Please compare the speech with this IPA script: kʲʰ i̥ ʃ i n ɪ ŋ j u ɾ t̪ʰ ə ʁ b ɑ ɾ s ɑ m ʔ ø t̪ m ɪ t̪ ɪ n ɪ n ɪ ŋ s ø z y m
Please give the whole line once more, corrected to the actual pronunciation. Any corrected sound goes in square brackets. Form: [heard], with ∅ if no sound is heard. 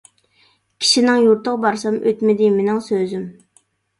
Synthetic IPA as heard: kʲʰ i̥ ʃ i n ɪ ŋ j u ɾ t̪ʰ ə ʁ b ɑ ɾ s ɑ m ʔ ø t̪ m ɪ [d̪] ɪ [m] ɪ n ɪ ŋ s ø z y m